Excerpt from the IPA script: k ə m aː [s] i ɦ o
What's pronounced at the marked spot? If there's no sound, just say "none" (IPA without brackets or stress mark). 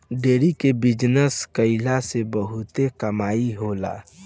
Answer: none